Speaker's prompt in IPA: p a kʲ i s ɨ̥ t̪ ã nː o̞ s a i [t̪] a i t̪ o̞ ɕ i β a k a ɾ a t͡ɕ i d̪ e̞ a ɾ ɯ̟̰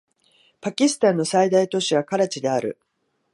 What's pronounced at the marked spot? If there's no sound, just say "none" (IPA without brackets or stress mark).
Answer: d̪